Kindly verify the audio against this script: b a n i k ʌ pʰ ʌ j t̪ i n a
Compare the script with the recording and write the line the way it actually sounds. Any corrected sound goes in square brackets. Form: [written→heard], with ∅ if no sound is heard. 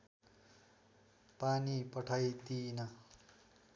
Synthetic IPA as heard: [b→p] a n i [k→p] ʌ [pʰ→ʈʰ] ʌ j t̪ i n [a→ʌ]